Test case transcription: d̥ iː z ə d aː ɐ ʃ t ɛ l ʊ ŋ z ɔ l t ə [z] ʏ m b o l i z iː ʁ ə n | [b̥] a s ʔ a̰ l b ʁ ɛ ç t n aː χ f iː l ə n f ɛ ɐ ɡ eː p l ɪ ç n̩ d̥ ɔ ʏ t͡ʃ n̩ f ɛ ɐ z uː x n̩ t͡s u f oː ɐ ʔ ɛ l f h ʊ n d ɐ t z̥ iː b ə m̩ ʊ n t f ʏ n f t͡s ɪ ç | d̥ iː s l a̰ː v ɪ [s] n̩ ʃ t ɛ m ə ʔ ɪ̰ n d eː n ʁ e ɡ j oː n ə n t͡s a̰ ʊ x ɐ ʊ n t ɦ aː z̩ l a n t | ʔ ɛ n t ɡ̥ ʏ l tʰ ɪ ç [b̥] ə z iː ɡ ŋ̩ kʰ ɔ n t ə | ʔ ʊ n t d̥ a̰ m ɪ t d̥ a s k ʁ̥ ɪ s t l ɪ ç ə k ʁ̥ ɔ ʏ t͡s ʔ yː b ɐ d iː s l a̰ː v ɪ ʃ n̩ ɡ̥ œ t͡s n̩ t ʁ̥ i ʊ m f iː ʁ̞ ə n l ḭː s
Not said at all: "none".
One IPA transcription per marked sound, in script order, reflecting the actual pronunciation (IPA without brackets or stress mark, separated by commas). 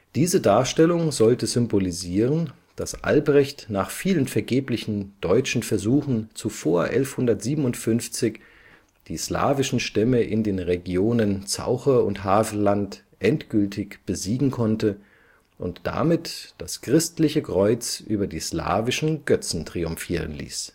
z, d̥, ʃ, b̥